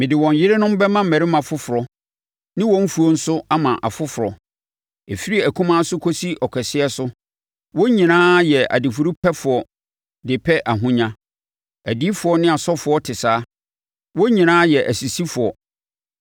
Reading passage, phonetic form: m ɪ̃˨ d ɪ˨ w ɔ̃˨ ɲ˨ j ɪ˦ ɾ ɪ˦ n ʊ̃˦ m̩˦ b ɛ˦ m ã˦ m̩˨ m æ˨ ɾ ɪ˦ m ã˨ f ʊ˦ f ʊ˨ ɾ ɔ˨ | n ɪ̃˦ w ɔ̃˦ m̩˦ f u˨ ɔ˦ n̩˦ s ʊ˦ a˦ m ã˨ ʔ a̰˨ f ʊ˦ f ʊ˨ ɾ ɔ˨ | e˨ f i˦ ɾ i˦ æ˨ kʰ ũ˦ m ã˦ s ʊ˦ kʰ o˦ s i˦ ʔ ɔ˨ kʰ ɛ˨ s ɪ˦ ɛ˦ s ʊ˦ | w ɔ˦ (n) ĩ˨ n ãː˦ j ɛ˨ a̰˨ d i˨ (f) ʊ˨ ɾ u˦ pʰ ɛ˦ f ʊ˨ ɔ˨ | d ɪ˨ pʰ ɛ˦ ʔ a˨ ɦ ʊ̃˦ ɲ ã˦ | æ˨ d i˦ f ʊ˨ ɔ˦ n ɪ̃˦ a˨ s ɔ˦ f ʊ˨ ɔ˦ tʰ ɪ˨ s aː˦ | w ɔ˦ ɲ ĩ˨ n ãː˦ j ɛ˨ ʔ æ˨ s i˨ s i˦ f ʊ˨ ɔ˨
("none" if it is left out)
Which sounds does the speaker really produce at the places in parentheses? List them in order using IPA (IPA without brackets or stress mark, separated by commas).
ɲ, f